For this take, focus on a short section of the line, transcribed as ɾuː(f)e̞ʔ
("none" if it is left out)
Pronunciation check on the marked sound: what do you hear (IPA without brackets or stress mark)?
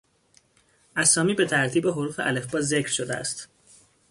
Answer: f